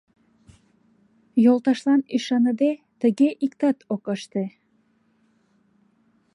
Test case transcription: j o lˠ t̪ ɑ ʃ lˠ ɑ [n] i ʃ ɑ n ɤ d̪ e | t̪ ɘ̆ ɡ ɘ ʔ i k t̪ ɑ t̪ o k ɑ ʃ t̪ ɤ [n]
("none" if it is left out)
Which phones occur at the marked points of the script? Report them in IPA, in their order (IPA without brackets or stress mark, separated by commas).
n, none